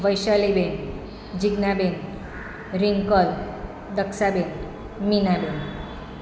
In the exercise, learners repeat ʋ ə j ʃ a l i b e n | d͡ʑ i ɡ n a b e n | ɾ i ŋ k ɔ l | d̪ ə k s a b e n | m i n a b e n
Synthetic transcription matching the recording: ʋ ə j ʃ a l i b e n | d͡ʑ i ɡ n a b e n | ɾ i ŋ k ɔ l | d̪ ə k s a b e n | m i n a b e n